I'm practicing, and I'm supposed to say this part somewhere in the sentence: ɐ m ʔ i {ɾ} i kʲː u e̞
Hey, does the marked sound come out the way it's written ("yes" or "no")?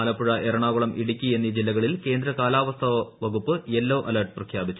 no